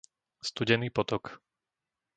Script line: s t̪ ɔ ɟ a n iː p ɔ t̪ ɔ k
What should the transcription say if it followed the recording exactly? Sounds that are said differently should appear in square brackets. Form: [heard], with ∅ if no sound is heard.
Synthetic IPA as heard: s t̪ [u] ɟ [ɛ] n iː p ɔ t̪ ɔ k